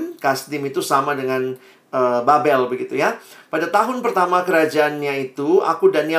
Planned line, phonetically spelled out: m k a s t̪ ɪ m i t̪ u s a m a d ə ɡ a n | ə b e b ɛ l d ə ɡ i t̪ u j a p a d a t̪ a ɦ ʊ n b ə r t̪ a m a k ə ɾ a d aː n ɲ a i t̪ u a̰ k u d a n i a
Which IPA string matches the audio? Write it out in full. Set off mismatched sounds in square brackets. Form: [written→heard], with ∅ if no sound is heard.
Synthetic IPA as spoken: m k a s t̪ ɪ m i t̪ u s a m a d ə [ɡ→ŋ] a n | ə b [e→a] b ɛ l [d→b] ə ɡ i t̪ u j a p a d a t̪ a ɦ ʊ n [b→p] ə r t̪ a m a k ə ɾ a [d→d͡ʒ] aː n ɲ a i t̪ u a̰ k u d a n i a